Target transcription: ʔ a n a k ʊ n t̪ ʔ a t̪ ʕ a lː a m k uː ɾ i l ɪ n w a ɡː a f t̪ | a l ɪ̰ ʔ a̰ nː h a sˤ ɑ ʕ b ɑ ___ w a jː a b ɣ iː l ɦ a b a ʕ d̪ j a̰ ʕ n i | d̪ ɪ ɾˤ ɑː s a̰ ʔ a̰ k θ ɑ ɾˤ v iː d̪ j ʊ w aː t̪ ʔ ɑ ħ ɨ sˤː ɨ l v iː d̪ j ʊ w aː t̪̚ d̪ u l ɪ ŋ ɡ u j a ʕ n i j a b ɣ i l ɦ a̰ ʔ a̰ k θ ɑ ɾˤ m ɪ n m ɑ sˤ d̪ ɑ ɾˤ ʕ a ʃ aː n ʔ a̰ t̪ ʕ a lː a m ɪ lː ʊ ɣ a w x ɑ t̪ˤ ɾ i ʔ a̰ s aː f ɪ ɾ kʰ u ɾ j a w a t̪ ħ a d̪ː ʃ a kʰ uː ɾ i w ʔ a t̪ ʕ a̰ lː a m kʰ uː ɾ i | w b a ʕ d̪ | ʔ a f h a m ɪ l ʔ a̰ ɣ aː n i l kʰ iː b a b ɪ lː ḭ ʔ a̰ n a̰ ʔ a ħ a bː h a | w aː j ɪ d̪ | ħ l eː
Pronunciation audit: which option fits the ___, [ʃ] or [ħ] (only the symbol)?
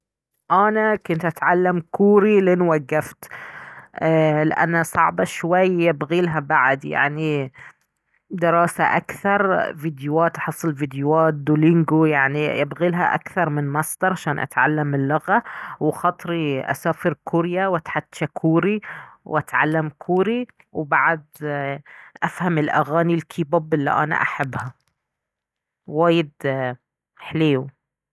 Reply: ʃ